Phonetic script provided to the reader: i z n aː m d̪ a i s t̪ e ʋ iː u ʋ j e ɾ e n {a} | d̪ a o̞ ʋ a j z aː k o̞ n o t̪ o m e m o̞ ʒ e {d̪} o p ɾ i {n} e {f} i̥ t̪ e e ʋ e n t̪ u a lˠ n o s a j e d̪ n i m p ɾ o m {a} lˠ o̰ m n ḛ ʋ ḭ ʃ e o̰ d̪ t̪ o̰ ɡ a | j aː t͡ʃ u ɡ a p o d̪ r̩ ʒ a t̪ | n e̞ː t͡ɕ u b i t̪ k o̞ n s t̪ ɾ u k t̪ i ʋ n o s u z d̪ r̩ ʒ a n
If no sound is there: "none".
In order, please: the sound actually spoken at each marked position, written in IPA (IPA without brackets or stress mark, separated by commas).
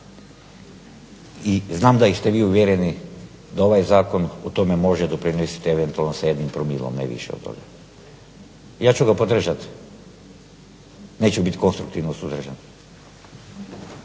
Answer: i, d̪, n, s, i